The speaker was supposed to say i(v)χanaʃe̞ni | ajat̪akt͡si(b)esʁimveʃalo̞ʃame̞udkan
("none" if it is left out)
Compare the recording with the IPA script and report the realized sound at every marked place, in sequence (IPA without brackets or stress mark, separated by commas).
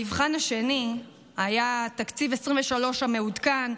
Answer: v, v